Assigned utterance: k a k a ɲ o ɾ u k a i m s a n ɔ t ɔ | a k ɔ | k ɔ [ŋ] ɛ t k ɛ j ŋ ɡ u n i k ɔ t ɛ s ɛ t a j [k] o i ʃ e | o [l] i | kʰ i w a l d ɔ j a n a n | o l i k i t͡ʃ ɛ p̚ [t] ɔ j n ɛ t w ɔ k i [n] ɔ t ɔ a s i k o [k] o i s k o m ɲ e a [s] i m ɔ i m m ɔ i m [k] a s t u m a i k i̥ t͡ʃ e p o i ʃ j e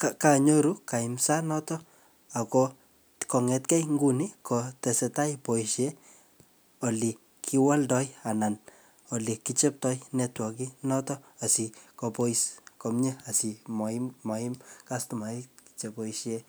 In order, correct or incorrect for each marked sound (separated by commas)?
correct, incorrect, correct, correct, correct, incorrect, correct, correct